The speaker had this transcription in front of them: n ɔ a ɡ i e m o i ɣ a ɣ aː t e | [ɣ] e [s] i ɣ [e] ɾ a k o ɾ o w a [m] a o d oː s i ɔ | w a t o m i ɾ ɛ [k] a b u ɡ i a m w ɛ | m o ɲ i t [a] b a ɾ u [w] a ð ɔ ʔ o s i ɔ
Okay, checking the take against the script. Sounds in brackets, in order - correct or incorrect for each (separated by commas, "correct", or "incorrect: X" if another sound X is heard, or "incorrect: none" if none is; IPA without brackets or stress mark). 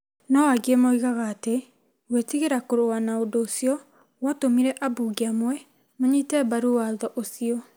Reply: incorrect: w, incorrect: t, correct, incorrect: n, incorrect: ʔ, incorrect: ɛ, correct